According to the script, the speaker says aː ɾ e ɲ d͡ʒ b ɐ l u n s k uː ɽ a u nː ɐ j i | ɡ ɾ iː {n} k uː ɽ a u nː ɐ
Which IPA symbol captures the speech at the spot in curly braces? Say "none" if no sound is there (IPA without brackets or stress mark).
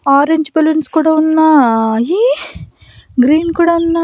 n